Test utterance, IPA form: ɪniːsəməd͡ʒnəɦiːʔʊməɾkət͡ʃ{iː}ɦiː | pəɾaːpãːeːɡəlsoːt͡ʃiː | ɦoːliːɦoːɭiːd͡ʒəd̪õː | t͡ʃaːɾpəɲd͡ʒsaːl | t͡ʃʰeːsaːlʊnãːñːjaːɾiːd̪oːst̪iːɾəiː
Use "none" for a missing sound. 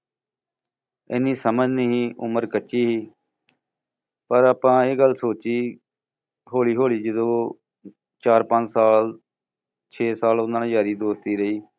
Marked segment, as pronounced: iː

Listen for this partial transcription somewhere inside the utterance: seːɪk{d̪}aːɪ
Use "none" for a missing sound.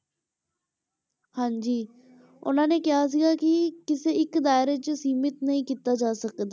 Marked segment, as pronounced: d̪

